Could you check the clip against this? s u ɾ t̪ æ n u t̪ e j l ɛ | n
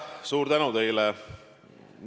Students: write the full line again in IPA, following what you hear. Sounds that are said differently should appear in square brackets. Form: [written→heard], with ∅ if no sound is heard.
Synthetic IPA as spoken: s [u→uː] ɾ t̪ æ n u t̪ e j l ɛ | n